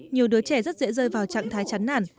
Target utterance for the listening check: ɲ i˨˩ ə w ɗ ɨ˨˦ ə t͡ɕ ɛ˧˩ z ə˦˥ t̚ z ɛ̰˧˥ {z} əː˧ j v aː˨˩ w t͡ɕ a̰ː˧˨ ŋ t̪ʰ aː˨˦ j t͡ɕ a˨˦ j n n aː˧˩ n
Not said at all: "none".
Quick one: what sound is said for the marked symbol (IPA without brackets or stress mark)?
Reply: z